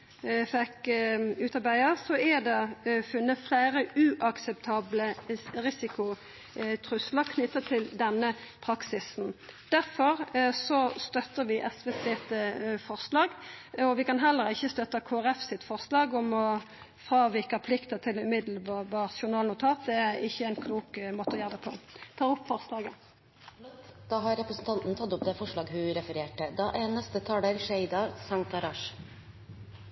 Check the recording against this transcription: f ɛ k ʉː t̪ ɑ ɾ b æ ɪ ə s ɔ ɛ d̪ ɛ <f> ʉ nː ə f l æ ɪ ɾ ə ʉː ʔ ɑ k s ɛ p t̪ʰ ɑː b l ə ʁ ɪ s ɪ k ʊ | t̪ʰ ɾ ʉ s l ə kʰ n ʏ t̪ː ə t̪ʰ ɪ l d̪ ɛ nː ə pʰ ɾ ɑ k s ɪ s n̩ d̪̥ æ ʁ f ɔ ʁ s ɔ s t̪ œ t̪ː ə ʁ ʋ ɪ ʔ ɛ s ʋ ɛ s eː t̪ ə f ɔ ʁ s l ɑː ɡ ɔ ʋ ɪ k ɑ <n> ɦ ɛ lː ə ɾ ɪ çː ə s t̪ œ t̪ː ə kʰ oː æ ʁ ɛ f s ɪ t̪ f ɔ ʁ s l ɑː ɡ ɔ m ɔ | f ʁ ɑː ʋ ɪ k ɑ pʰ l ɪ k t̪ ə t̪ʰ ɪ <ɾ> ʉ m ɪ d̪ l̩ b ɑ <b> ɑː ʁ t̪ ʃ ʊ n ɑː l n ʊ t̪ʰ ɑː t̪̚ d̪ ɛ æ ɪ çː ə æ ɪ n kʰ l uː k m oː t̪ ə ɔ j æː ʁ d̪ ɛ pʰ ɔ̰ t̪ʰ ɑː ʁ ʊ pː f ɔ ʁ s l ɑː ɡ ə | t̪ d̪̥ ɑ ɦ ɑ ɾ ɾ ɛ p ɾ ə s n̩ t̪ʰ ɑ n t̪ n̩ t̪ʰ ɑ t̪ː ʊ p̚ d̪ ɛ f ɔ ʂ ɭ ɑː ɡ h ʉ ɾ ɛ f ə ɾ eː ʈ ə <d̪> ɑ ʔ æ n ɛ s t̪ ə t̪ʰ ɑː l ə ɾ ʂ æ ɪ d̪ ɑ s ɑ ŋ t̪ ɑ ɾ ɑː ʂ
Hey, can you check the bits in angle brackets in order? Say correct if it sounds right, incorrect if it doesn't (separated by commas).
correct, correct, incorrect, correct, correct